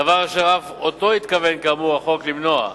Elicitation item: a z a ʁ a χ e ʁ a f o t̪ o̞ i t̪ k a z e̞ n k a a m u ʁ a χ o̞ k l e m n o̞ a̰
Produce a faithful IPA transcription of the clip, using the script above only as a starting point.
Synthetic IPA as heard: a v a ʁ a ʃ e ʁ a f o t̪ o̞ i t̪ k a v e̞ n k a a m u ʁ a χ o̞ k l i m n o̞ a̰